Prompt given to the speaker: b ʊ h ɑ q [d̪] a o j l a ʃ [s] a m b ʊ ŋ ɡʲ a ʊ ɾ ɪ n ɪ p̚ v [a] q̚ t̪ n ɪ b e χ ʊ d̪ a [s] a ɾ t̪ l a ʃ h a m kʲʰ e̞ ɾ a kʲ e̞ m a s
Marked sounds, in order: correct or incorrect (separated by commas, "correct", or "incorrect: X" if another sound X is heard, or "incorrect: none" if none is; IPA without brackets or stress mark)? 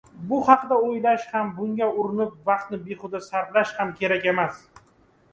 correct, incorrect: h, incorrect: ɑ, correct